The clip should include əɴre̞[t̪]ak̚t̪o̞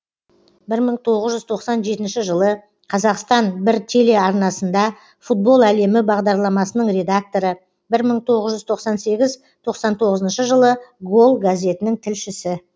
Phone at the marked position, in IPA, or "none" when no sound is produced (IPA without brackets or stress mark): d̪